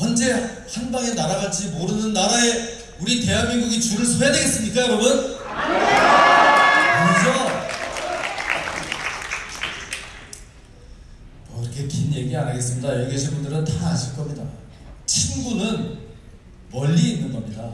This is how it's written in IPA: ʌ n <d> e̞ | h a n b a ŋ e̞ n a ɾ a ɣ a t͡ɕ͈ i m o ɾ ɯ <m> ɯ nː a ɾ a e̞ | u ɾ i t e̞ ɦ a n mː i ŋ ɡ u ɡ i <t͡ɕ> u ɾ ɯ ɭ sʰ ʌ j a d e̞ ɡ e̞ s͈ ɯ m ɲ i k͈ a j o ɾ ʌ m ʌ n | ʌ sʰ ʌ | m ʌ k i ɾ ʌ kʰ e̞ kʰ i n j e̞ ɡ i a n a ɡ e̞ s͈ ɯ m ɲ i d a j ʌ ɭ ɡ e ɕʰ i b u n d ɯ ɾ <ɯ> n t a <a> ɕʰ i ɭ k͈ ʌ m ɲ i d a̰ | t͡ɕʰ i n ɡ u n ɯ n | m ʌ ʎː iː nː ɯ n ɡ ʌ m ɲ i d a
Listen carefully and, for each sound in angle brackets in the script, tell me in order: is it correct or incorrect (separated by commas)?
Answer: incorrect, incorrect, correct, correct, correct